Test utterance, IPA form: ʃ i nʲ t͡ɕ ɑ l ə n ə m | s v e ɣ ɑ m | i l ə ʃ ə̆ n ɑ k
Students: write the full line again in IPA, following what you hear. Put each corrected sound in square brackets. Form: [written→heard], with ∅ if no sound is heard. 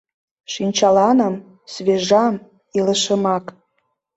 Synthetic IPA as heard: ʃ i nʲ t͡ɕ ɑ l [ə→ɑ] n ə m | s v e [ɣ→ʒ] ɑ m | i l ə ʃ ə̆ [n→m] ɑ k